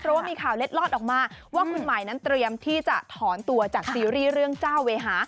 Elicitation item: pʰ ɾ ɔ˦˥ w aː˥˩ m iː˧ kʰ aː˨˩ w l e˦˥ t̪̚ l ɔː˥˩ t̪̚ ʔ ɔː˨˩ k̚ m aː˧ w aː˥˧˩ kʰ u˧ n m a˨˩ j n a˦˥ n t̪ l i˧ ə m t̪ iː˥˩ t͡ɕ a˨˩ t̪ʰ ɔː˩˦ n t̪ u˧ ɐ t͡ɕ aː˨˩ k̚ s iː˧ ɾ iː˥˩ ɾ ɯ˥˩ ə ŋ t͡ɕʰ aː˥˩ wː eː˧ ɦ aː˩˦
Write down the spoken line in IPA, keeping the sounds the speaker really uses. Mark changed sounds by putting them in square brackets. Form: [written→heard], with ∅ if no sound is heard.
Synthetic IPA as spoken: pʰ ɾ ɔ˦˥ w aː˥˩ m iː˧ kʰ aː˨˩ w l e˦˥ t̪̚ l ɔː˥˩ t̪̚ ʔ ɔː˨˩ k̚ m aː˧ w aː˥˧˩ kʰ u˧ n m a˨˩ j n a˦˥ n t̪ [l→ɾ] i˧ ə m [t̪→t̪ʰ] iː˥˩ t͡ɕ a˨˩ t̪ʰ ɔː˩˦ n t̪ u˧ ɐ t͡ɕ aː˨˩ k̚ s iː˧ ɾ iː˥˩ ɾ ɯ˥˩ ə ŋ [t͡ɕʰ→t͡ɕ] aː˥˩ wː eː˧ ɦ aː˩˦